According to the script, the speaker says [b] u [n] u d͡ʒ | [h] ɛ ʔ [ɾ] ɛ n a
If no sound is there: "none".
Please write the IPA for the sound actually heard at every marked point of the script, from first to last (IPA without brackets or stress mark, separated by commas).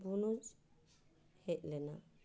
b, n, h, l